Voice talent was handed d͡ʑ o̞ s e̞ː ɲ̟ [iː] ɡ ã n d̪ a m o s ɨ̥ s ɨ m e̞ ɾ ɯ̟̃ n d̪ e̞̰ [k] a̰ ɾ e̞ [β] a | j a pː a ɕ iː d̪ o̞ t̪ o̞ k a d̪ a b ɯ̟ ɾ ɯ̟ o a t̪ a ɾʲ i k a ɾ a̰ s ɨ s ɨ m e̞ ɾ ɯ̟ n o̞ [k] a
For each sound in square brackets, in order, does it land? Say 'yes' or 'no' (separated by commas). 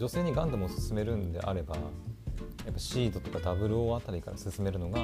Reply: no, no, no, no